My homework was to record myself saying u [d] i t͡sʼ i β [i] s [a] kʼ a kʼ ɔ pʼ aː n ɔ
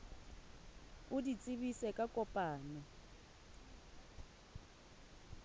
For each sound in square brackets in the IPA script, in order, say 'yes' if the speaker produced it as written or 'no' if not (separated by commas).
yes, yes, no